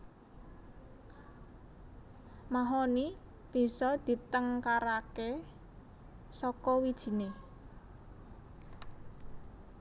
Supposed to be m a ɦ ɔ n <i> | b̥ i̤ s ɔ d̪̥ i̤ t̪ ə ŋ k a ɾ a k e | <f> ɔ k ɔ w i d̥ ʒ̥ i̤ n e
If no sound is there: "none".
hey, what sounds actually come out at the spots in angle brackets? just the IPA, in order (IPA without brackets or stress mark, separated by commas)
i, s